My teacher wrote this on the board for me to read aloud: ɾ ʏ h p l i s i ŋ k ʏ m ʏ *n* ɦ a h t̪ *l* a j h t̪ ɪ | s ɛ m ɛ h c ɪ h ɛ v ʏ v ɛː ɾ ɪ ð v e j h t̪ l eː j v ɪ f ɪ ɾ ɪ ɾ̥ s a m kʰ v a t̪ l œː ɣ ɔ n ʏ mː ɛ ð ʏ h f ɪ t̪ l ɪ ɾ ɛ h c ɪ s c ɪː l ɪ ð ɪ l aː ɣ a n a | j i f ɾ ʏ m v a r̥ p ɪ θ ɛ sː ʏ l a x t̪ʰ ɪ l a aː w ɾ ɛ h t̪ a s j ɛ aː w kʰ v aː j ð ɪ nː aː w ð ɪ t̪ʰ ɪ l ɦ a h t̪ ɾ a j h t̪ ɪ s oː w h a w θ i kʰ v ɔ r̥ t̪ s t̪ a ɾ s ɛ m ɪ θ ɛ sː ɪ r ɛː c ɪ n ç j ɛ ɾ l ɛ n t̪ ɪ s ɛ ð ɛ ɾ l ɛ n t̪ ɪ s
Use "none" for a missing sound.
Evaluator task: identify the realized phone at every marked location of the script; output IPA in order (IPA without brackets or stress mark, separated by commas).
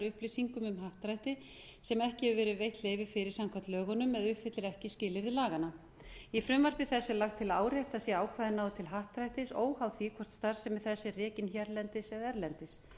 m, ɾ